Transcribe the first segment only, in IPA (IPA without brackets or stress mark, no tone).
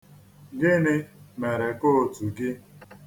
ɡ